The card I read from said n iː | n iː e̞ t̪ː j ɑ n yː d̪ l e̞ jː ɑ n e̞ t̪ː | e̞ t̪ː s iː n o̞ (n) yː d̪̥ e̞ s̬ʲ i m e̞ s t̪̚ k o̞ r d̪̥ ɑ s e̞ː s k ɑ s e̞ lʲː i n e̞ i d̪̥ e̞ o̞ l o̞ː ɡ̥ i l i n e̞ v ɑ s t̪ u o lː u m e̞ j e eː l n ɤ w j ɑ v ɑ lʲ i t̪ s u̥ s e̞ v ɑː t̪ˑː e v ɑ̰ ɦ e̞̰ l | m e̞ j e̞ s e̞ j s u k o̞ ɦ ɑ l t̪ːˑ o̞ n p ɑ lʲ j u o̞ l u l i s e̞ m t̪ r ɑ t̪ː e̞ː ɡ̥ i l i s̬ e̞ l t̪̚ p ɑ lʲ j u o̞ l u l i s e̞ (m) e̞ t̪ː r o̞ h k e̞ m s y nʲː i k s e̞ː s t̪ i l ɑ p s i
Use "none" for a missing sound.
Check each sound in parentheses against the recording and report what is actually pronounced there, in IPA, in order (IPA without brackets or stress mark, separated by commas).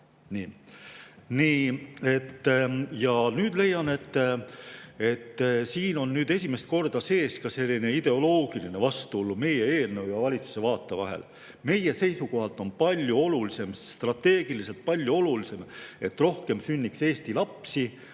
nː, m